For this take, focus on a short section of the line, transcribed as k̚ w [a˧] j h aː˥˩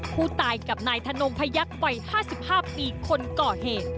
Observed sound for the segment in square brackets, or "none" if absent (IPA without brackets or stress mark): a˧